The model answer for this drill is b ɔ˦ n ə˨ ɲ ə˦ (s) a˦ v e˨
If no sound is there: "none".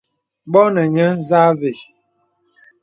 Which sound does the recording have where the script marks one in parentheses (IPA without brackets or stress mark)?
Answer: z